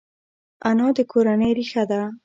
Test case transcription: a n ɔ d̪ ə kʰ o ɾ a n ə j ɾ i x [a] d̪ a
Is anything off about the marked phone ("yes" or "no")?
no